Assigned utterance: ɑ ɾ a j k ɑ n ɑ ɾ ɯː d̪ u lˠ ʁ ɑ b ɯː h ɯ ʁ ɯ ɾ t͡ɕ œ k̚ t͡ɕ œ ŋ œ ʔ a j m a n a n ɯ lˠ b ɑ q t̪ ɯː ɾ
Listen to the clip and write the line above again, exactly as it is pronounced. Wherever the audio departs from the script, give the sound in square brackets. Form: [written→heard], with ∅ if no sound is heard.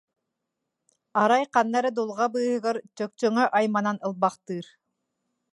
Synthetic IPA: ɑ ɾ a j [k→q] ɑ [n→nː] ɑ ɾ [ɯː→ɯ] d̪ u lˠ ʁ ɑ b ɯː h ɯ ʁ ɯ ɾ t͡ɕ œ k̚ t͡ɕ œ ŋ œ ʔ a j m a n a n ɯ lˠ b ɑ q t̪ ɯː ɾ